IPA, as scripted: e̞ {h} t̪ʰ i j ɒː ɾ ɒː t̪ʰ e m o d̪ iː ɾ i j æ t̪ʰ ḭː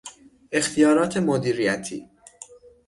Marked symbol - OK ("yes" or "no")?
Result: no